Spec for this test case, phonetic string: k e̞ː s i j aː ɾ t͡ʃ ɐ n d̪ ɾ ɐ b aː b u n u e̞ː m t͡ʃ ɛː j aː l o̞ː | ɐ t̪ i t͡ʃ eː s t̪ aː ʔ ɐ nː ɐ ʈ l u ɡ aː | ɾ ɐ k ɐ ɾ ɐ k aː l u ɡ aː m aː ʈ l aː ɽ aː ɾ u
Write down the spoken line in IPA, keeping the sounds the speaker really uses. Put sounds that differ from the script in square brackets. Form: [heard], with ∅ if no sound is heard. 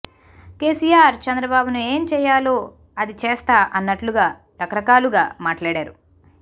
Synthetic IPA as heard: k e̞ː s i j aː ɾ t͡ʃ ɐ n d̪ ɾ ɐ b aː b u n u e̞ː m t͡ʃ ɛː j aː l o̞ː | ɐ [d̪] i t͡ʃ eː s t̪ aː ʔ ɐ nː ɐ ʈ l u ɡ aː | ɾ ɐ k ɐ ɾ ɐ k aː l u ɡ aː m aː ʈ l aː ɽ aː ɾ u